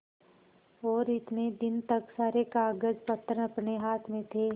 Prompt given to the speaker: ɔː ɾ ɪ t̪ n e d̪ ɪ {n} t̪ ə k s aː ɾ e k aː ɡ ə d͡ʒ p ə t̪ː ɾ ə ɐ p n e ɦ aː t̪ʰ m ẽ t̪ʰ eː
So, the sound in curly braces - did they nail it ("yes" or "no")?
yes